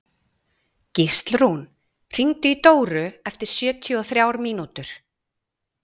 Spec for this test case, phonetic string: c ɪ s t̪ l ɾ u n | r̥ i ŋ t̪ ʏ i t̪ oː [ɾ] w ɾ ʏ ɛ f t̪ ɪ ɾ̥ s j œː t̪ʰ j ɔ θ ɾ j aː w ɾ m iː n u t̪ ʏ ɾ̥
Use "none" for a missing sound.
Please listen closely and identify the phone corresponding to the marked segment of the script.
none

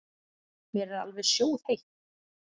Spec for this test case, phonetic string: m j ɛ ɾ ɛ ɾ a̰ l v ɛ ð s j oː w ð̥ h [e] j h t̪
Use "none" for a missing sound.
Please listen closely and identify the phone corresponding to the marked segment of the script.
e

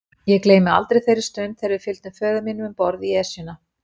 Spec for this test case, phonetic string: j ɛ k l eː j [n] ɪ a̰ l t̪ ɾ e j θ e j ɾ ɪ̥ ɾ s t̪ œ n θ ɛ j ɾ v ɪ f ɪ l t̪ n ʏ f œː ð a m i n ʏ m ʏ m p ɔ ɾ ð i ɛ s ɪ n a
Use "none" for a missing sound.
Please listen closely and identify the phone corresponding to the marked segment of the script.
m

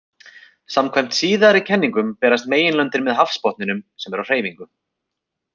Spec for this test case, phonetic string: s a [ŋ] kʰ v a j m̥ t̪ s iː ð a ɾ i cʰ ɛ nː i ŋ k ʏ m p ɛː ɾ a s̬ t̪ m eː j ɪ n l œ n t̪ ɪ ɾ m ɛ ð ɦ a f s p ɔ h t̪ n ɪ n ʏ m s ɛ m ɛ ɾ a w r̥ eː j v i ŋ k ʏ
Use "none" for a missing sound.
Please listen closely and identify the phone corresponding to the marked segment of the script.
m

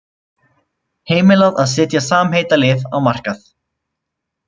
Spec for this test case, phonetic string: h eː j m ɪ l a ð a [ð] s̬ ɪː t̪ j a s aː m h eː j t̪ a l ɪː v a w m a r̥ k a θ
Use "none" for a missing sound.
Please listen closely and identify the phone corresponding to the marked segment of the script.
ð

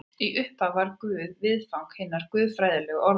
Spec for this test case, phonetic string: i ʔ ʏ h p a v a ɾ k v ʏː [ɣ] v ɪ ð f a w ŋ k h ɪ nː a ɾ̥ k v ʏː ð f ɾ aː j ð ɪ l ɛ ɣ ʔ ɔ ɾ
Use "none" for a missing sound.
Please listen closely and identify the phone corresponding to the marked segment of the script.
ð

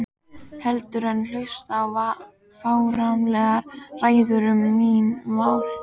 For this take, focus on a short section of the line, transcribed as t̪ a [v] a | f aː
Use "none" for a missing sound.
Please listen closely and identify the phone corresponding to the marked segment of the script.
v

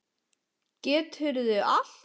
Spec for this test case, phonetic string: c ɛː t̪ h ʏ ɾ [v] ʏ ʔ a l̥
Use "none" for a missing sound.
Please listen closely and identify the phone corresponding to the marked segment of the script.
ð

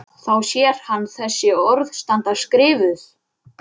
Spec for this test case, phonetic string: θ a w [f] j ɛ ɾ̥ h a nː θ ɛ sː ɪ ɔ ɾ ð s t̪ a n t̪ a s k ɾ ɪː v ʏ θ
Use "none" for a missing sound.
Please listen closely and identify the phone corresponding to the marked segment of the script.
s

